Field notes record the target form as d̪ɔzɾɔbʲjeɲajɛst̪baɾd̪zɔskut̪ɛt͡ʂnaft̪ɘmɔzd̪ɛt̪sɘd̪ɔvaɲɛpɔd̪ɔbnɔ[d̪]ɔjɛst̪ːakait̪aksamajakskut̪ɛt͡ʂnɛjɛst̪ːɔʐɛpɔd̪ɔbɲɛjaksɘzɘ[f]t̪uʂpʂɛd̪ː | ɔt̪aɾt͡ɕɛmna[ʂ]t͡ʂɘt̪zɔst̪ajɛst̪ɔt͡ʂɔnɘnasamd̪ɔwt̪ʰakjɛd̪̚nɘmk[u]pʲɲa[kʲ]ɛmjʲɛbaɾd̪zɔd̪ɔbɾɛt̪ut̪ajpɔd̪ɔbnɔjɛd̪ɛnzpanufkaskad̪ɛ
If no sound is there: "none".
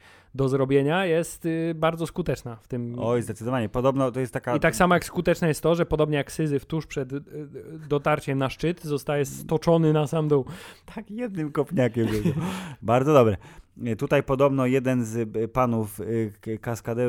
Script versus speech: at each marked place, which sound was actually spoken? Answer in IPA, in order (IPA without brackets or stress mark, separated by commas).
t̪, f, ʂ, ɔ, kʲ